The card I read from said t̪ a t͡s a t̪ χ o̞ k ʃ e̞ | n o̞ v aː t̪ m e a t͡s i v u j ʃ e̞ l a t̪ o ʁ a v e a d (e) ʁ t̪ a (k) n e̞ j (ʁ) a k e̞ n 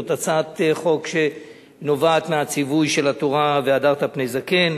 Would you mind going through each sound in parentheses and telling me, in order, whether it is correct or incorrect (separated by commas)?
incorrect, incorrect, incorrect